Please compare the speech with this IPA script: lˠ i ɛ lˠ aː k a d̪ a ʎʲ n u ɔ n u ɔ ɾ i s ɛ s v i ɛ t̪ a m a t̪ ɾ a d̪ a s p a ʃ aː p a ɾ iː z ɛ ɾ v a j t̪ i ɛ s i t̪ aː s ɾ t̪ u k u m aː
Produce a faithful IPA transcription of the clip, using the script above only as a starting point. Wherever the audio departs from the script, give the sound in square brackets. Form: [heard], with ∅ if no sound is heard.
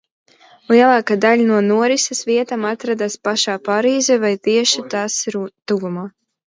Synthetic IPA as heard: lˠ i ɛ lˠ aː k a d̪ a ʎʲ n u ɔ n u ɔ ɾ i s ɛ s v i ɛ t̪ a m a t̪ ɾ a d̪ a s p a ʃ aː p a ɾ iː z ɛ [∅] v a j t̪ i ɛ [ʃ] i t̪ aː s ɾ t̪ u [ɡ] u m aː